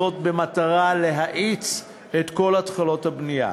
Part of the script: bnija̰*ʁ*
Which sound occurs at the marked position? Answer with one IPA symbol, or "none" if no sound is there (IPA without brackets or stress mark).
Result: none